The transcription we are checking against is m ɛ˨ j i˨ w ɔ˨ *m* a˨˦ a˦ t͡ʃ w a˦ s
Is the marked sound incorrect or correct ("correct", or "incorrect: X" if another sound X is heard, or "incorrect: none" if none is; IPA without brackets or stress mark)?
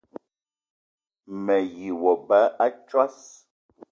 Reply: incorrect: b